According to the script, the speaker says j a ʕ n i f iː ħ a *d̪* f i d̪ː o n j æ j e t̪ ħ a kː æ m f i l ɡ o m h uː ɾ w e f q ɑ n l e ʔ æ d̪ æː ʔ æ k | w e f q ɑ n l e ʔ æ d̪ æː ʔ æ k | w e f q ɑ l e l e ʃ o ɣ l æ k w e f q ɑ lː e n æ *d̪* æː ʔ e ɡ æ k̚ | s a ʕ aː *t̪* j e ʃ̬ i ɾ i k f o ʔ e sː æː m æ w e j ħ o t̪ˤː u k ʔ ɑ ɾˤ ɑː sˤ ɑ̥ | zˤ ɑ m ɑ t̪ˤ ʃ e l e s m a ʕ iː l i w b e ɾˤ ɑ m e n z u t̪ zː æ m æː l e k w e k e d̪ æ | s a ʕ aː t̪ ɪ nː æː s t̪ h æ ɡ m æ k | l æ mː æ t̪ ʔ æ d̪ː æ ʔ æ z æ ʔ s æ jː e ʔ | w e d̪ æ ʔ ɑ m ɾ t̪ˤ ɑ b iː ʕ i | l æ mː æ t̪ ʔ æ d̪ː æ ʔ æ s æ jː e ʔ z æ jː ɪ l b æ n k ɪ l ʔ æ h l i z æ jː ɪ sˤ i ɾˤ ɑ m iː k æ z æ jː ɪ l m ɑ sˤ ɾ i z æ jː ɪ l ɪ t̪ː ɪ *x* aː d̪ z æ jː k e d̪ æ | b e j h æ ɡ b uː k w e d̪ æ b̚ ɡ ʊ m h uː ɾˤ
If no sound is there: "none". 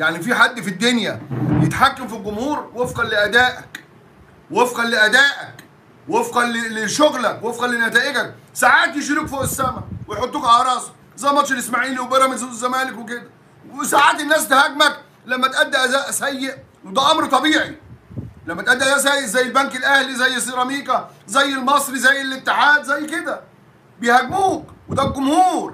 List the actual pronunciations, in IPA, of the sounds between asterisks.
d̪ː, t̪, t̪, ħ

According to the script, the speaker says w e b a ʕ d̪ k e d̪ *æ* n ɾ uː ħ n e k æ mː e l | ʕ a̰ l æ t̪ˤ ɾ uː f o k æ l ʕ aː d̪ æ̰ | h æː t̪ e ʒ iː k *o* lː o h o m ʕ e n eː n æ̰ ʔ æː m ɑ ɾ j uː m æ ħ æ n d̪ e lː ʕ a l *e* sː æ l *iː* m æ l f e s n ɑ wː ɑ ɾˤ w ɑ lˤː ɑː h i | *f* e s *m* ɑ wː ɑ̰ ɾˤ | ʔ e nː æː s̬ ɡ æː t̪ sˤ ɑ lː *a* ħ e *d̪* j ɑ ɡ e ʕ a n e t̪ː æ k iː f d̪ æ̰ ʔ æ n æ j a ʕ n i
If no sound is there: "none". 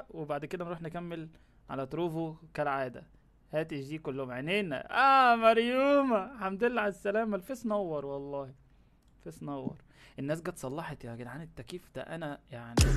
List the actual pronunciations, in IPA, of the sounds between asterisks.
æ, o, æ, æː, f, n, ɑ, t̪

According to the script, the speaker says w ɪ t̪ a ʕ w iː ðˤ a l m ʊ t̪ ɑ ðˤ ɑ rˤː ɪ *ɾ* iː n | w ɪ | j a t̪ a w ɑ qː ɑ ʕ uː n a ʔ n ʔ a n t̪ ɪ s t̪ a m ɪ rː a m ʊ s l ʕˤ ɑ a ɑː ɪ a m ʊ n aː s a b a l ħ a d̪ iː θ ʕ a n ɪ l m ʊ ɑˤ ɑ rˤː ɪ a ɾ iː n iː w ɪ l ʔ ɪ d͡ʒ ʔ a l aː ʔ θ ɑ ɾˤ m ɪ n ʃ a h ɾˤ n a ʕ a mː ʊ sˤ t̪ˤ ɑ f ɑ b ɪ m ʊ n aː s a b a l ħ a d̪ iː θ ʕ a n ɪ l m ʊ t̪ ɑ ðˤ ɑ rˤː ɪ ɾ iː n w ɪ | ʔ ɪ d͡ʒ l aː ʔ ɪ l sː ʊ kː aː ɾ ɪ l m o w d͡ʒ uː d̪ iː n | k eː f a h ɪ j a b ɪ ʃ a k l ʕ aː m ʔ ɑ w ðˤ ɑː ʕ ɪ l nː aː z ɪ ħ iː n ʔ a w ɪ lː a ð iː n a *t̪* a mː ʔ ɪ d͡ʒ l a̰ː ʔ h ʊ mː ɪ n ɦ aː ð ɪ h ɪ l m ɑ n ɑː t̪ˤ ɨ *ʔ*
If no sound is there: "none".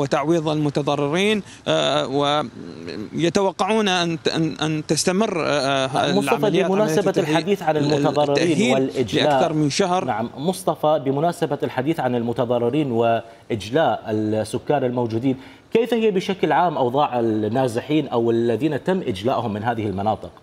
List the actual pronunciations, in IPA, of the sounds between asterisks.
ɾ, t̪, q

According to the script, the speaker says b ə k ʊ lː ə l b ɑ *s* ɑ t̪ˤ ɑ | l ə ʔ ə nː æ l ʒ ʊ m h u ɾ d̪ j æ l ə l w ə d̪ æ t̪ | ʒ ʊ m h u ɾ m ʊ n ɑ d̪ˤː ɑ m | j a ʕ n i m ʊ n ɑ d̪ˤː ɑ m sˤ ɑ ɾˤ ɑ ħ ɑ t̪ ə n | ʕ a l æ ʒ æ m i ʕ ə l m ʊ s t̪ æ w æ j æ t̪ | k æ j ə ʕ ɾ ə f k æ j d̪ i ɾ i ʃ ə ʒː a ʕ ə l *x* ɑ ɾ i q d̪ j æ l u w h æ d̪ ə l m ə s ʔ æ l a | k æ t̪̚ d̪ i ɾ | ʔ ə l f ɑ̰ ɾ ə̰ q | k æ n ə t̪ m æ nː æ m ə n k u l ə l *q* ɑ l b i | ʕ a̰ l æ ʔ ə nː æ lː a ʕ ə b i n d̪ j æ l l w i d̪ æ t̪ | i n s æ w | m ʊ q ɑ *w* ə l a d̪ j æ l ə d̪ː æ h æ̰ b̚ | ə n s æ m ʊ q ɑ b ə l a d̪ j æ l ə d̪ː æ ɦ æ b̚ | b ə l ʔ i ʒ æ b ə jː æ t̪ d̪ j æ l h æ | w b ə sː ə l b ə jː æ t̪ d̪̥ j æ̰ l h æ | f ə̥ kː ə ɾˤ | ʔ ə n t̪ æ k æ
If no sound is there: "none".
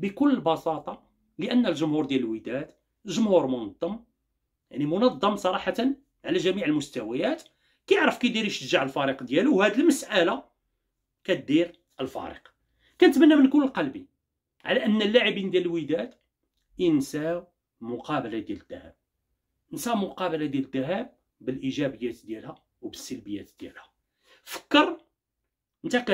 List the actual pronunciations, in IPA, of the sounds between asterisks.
s, f, q, b

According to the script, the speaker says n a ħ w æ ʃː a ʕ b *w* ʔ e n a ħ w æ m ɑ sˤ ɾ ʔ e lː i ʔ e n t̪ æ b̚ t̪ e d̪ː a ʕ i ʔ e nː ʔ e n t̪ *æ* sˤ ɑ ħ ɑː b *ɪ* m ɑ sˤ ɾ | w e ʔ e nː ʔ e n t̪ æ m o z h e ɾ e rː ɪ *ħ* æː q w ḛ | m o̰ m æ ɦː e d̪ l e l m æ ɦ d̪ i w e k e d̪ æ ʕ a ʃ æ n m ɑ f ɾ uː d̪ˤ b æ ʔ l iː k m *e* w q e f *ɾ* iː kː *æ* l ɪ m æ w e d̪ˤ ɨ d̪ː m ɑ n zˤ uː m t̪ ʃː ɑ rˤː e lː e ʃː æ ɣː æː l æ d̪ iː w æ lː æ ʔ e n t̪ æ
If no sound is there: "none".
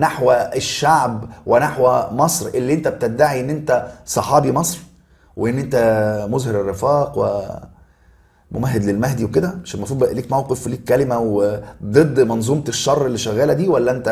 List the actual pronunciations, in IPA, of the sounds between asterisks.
w, æ, i, f, æ, l, æ

